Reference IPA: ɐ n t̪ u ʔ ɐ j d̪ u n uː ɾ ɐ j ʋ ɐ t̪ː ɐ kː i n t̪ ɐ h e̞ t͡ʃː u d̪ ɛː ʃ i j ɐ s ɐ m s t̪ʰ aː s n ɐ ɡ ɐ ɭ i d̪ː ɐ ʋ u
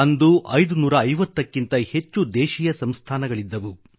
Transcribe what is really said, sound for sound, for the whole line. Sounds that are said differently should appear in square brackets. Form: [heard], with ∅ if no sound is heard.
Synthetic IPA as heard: ɐ n [d̪] u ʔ ɐ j d̪ u n uː ɾ [ɐː] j ʋ ɐ t̪ː ɐ kː i n t̪ ɐ h e̞ t͡ʃː u d̪ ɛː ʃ i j ɐ s ɐ m s t̪ʰ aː [∅] n ɐ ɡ ɐ ɭ i d̪ː ɐ ʋ u